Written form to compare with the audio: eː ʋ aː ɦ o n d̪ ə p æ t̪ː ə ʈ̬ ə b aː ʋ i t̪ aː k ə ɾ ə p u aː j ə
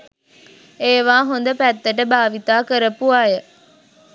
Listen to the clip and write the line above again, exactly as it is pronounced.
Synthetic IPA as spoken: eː ʋ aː ɦ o n d̪ ə p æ t̪ː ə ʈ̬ ə b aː ʋ i t̪ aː k ə ɾ ə p u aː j ə